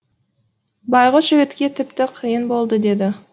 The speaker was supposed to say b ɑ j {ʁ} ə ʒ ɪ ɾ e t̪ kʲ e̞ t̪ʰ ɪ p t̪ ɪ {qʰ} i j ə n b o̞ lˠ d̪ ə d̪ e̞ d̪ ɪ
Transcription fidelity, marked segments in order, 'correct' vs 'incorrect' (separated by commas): correct, correct